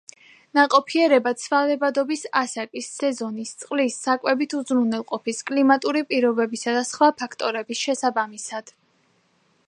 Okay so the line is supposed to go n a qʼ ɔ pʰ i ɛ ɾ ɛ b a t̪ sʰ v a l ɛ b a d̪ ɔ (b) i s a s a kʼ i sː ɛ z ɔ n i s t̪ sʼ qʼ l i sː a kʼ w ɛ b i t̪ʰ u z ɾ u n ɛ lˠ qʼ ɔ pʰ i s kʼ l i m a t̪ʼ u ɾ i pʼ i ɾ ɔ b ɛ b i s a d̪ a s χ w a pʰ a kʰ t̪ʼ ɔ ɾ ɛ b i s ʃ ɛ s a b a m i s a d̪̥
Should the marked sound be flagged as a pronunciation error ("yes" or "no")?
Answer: no